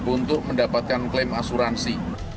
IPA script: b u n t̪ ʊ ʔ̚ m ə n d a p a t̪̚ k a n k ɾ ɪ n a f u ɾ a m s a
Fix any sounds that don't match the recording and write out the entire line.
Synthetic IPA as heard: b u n t̪ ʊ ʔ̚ m ə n d a p a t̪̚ k a n k l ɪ m a s u ɾ a n s i